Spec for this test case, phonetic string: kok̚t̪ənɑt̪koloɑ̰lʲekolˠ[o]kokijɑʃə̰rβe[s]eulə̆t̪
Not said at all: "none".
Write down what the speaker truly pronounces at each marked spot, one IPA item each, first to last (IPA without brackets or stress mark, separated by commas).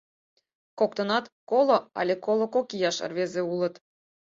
o, z